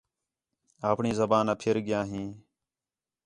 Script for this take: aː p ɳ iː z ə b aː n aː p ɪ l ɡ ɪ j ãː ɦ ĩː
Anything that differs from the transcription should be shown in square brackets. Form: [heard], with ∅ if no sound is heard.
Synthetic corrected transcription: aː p ɳ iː z ə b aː n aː [pʰ] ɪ [ɾ] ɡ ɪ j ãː ɦ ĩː